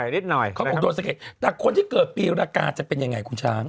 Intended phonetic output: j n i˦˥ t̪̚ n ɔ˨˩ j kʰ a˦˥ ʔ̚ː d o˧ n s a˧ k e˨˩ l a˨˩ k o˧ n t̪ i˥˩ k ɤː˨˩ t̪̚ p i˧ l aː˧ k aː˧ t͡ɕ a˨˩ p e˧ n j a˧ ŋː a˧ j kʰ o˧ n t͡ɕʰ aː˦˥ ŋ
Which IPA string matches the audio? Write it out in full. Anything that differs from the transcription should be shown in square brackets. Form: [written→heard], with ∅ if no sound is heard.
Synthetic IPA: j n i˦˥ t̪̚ n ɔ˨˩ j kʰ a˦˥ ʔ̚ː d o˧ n s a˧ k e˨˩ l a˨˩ [k→kʰ] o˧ n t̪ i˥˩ k ɤː˨˩ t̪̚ p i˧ [l→ɾ] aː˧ k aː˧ t͡ɕ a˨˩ p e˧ n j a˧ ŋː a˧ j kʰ [o˧→u˧] n t͡ɕʰ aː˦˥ ŋ